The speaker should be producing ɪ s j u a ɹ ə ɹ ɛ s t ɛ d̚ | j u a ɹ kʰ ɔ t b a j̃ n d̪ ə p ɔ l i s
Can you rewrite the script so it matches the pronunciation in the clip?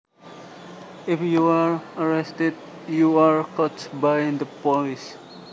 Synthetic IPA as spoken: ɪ f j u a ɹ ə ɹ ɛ s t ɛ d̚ | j u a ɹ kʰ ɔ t b a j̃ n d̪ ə p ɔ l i s